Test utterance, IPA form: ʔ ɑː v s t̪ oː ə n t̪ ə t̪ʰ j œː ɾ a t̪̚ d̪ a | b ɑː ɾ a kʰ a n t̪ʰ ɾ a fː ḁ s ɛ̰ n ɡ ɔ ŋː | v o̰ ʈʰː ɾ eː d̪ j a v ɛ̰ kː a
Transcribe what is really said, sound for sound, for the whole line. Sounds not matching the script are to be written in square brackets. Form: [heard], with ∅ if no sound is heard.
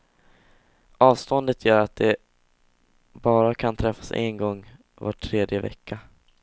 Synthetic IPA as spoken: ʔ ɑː v s t̪ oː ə n [d̪] ə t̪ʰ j œː ɾ a t̪̚ d̪ [ɛ] | b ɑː ɾ a kʰ a n t̪ʰ ɾ [ɛ] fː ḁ s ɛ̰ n ɡ ɔ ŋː | v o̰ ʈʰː ɾ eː d̪ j [ə] v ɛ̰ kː a

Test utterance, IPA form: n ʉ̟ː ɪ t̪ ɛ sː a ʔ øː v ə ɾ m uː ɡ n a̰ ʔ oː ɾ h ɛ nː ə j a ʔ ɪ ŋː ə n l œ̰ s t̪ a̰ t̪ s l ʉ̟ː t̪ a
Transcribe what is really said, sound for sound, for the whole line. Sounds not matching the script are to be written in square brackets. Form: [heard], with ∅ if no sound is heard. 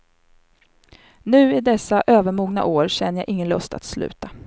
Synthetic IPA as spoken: n ʉ̟ː ɪ [d̪] ɛ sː a ʔ øː v ə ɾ m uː ɡ n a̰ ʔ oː ɾ [ɕ] ɛ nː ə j a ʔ ɪ ŋː ə n l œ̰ s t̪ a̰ t̪ s l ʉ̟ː t̪ a

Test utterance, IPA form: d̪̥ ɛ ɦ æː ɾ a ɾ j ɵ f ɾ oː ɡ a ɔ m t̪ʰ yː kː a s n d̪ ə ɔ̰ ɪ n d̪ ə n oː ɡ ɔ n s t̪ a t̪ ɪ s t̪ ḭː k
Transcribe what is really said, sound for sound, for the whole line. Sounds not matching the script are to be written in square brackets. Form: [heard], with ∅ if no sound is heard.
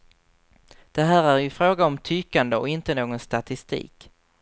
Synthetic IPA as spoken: d̪̥ ɛ ɦ æː ɾ [æ] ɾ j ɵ f ɾ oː ɡ a ɔ m t̪ʰ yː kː a [∅] n d̪ ə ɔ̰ ɪ n [t̪] ə n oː ɡ ɔ n s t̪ a t̪ ɪ s t̪ ḭː k

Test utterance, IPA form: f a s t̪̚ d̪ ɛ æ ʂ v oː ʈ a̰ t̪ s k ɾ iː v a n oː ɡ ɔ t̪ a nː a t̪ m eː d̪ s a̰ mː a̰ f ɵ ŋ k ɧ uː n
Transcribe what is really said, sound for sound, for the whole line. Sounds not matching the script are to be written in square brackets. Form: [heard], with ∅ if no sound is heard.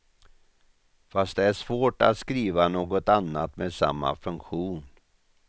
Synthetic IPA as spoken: f a s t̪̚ d̪ ɛ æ ʂ v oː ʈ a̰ t̪ s k ɾ iː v a n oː ɡ ɔ t̪ a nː a t̪ m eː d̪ s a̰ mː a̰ f ɵ ŋ k ɧ uː n

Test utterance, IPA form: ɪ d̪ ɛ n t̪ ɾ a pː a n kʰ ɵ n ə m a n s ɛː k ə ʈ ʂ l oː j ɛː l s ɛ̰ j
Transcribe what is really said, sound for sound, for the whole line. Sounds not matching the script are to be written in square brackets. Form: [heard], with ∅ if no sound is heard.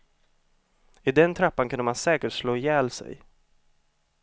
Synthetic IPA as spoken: ɪ d̪ ɛ n [t̪ʰ] ɾ a pː a n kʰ ɵ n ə m a n s ɛː k ə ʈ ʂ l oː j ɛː l s ɛ̰ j

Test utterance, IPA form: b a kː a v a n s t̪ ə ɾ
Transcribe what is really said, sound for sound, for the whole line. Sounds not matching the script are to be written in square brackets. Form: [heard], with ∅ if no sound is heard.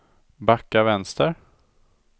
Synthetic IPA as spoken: b a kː a v [ɛ] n s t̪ ə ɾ

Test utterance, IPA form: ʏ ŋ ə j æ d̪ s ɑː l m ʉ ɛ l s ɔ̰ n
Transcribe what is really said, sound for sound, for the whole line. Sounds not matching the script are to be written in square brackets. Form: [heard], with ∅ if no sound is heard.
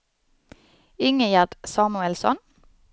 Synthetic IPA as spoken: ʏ ŋ ə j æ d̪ s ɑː [∅] m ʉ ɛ l s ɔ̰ n

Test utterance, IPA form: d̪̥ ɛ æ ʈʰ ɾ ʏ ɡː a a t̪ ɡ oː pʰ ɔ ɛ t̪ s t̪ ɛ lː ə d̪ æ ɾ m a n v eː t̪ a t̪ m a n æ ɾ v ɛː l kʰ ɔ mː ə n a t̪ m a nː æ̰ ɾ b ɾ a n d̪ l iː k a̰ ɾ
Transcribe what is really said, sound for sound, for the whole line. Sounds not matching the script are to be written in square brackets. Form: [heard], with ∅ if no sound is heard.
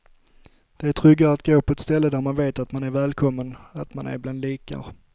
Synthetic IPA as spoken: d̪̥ ɛ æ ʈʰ ɾ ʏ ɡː a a t̪ ɡ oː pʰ ɔ ɛ t̪ s t̪ ɛ lː ə d̪ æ ɾ m a n v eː t̪ a t̪ m a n æ ɾ v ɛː l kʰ ɔ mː ə n a t̪ m a [n] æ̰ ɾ b [l] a n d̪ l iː k a̰ ɾ

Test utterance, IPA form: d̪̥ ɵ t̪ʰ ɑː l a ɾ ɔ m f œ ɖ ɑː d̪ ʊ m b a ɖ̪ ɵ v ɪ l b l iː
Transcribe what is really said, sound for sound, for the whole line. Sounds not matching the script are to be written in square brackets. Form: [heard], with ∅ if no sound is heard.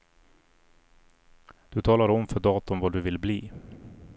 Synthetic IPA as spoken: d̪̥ ɵ t̪ʰ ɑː l a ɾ ɔ m f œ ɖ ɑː [t̪] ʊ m [v] a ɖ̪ ɵ v ɪ l b l iː

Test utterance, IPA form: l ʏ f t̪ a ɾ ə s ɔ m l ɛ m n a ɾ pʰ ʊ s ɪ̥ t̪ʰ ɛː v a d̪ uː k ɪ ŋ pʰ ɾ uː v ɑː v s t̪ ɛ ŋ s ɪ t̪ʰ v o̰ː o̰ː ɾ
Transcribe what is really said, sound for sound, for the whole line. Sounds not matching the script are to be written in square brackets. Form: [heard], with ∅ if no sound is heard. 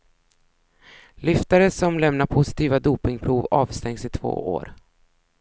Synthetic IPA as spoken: l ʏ f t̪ a ɾ ə s ɔ m l ɛ m n a ɾ pʰ ʊ s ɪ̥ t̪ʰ [iː] v a d̪ uː [p] ɪ ŋ pʰ ɾ uː v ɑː v s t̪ ɛ ŋ s ɪ t̪ʰ v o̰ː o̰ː ɾ

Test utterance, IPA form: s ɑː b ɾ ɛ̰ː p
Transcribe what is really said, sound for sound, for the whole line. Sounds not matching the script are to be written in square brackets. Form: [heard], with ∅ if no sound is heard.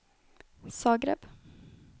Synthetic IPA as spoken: s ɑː [ɡ] ɾ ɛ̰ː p

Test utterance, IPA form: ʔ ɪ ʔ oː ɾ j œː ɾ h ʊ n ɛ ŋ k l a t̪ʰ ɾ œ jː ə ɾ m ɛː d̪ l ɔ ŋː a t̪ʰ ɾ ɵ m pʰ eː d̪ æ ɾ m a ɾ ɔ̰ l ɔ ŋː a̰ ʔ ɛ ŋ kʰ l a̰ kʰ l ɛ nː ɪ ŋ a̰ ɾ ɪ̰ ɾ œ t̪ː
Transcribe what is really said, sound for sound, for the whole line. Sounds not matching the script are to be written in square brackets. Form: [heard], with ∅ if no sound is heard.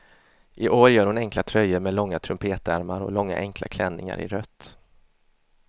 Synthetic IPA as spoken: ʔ ɪ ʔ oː ɾ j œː ɾ h ʊ n ɛ ŋ k l a t̪ʰ ɾ œ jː ə ɾ m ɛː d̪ l ɔ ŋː a t̪ʰ ɾ ɵ m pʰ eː [t̪] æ ɾ m a ɾ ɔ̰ l ɔ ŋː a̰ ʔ ɛ ŋ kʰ l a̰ kʰ l ɛ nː ɪ ŋ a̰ ɾ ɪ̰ ɾ œ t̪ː

